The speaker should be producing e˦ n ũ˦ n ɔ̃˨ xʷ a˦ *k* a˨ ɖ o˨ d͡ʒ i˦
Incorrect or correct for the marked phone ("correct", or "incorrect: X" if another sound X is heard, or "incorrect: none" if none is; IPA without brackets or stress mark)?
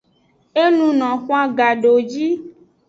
incorrect: ɡ